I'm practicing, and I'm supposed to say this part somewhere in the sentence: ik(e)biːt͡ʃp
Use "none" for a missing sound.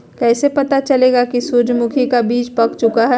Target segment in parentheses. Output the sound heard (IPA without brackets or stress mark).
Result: a